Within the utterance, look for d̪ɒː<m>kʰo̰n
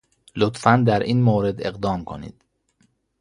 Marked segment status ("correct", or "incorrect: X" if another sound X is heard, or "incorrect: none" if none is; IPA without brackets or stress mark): correct